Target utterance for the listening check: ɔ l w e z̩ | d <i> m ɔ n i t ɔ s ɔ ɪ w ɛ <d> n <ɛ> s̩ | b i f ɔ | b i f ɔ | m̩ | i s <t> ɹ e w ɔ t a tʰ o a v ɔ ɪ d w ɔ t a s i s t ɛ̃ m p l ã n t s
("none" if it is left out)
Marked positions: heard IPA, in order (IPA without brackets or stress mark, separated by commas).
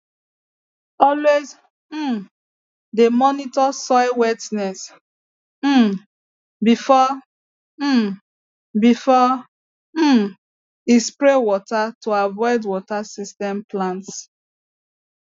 e, t, ɛ, p